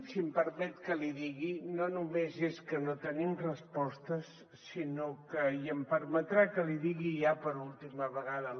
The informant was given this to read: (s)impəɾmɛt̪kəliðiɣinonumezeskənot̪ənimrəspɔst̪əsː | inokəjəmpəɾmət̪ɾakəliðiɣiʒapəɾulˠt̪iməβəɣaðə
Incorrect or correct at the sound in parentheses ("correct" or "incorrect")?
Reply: correct